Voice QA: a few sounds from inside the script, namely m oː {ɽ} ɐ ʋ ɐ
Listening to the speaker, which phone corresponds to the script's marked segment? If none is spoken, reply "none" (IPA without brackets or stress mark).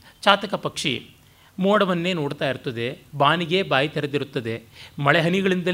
ɽ